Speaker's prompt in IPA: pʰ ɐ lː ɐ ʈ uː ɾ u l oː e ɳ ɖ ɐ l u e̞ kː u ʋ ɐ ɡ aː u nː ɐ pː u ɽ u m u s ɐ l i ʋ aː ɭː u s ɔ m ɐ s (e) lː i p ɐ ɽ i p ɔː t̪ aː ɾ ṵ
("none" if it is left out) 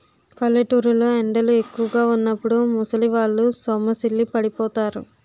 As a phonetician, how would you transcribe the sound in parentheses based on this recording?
i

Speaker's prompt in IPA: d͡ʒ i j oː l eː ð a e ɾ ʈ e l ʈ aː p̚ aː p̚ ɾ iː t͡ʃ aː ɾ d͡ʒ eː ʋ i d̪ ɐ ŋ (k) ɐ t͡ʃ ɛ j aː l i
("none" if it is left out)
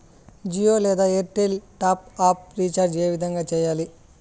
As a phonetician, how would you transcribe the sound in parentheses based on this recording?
ɡ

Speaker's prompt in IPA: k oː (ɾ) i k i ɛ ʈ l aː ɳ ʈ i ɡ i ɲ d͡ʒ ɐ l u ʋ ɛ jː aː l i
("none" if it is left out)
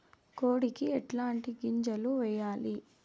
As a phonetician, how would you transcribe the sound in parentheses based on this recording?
ɽ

